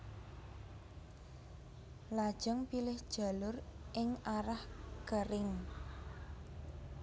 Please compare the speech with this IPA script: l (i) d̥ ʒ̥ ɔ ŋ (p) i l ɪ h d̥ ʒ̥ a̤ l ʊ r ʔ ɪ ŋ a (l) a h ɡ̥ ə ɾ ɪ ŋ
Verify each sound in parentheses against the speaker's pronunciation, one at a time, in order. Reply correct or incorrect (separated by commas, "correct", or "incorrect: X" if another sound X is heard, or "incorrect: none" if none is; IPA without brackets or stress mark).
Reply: incorrect: a, correct, incorrect: ɾ